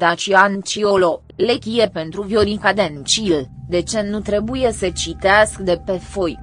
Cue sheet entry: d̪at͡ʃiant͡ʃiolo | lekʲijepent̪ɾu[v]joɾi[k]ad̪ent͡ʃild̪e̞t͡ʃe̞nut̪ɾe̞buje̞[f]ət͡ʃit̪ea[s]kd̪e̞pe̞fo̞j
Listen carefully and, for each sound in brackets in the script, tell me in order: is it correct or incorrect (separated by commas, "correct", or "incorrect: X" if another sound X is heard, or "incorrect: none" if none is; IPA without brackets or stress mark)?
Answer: correct, correct, incorrect: s, correct